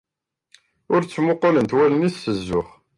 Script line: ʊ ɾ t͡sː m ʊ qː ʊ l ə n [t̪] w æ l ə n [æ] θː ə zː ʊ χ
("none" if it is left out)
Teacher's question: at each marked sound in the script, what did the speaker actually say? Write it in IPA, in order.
t̪, i

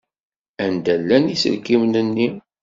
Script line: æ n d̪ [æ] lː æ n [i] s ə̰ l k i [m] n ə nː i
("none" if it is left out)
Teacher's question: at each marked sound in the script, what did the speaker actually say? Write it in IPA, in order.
æ, i, m

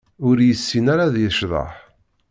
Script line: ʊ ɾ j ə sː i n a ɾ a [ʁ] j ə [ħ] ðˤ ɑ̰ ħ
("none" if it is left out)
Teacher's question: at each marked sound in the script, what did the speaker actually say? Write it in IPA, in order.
ð, ʃ

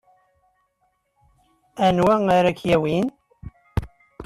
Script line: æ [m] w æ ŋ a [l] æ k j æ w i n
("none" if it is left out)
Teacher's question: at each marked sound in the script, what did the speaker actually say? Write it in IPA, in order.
n, ɾ

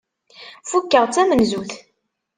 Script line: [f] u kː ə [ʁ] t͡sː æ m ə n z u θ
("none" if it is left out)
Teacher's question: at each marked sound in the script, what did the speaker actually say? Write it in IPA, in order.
f, ʁ

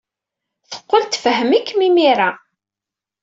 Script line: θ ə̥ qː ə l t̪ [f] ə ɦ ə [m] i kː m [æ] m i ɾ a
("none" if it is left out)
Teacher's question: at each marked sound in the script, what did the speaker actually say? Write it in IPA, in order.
f, m, i

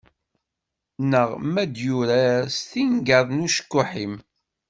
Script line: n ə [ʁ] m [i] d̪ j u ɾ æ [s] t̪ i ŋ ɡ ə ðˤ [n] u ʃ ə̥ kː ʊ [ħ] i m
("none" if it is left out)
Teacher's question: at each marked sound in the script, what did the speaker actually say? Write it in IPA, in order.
ʁ, æ, s, n, ħ

